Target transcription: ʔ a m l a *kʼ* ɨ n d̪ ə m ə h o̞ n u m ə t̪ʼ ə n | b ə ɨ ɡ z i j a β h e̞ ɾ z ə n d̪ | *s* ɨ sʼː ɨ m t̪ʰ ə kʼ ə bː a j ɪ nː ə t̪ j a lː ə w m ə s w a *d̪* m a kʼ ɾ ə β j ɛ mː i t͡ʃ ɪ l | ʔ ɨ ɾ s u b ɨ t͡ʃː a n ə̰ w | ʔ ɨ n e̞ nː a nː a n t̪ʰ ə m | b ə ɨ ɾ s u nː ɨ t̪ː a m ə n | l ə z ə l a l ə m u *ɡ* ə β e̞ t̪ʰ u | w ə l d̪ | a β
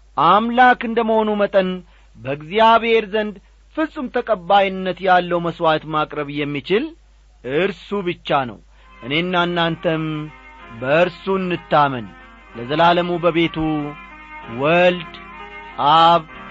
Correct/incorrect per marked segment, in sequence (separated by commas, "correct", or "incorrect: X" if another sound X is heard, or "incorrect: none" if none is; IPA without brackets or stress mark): incorrect: k, incorrect: f, incorrect: t̪, incorrect: b